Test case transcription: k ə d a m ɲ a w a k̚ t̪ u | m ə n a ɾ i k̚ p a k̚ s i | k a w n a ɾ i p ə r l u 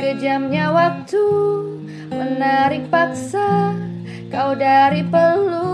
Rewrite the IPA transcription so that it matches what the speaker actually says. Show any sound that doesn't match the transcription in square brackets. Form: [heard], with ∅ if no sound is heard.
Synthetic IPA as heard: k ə [d͡ʒ] a m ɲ a w a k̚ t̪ u | m ə n a ɾ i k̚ p a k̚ s [a] | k a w [d] a ɾ i p ə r l u